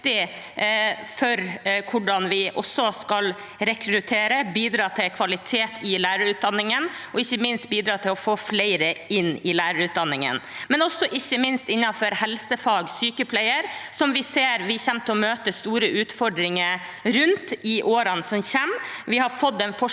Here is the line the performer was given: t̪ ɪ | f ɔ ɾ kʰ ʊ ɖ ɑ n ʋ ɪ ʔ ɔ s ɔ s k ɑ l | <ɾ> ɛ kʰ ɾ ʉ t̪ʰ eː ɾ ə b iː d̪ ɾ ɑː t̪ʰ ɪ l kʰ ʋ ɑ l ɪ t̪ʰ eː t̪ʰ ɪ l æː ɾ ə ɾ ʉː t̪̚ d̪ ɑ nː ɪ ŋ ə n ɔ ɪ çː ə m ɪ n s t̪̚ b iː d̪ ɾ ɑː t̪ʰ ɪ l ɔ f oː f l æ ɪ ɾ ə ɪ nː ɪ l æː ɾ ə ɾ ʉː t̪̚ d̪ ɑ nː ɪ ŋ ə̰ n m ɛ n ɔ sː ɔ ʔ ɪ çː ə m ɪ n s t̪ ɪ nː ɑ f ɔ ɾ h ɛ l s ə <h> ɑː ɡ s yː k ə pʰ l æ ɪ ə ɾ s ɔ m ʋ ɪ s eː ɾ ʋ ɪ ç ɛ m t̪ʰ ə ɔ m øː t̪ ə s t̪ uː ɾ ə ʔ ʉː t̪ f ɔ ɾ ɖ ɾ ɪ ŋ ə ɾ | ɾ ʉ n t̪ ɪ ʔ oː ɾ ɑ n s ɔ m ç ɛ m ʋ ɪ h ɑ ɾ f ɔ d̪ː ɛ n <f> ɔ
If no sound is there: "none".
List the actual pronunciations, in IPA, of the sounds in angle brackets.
ɾ, f, f

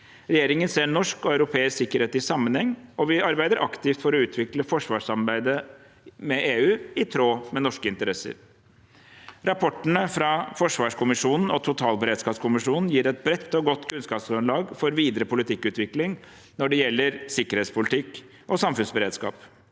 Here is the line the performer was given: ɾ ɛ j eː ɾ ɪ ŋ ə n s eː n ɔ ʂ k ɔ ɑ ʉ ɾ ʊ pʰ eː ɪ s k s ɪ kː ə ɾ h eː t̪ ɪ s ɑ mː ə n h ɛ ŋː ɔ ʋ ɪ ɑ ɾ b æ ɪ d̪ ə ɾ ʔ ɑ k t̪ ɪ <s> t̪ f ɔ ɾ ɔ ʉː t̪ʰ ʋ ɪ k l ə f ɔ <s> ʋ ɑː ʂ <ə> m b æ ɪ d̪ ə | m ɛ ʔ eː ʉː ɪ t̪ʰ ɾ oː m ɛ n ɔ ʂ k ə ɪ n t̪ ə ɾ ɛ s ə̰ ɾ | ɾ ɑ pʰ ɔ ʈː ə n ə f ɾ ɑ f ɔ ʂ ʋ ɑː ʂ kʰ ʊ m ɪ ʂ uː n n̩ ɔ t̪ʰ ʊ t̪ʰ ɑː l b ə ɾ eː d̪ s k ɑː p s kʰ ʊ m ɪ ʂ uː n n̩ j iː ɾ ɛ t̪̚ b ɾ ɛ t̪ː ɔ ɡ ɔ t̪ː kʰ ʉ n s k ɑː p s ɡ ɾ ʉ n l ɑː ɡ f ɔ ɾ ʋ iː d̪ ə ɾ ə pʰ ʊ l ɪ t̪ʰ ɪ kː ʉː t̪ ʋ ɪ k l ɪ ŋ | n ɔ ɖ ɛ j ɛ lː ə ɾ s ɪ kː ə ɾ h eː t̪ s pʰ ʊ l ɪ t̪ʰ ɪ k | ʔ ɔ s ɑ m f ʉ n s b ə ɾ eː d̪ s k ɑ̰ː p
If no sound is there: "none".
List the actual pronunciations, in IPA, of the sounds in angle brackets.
f, ʂ, ɑ

